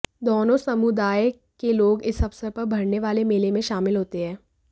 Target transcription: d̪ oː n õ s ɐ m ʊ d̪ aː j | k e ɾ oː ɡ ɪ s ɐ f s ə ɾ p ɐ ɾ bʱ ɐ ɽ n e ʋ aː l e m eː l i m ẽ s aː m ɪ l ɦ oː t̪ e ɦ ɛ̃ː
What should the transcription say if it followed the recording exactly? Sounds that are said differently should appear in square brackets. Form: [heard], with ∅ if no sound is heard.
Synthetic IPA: d̪ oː n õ s ɐ m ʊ d̪ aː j | k e [l] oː ɡ ɪ s ɐ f s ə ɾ p ɐ ɾ bʱ ɐ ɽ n e ʋ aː l e m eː l [e] m ẽ [ʃ] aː m ɪ l ɦ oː t̪ e ɦ ɛ̃ː